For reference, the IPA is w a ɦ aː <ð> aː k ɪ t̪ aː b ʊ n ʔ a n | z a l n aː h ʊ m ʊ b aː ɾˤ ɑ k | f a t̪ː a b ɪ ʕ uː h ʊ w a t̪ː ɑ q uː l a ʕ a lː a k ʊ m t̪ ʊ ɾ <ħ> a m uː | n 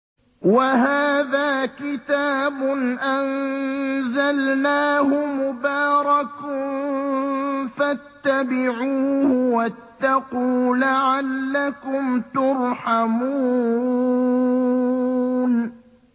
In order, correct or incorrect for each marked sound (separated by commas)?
correct, correct